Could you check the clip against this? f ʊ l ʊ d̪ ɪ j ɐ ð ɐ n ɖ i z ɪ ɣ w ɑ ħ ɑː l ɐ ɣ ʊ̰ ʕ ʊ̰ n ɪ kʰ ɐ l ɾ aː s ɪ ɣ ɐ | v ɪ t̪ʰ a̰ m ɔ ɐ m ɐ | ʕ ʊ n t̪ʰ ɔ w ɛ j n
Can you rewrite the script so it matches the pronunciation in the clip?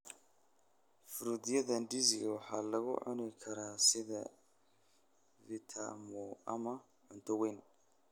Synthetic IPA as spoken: f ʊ ɾ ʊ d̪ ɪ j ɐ ð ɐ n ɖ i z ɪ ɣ w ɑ ħ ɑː l ɐ ɣ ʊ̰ ʕ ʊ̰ n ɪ kʰ ɐ ɾ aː s ɪ ð ɐ | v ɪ t̪ʰ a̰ m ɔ ɐ m ɐ | ʕ ʊ n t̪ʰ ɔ w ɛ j n